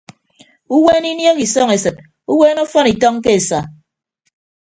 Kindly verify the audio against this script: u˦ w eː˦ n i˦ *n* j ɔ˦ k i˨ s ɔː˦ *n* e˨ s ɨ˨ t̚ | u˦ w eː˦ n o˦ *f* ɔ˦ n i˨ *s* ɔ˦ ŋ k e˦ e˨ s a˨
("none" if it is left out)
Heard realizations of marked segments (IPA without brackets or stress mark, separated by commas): n, ŋ, f, t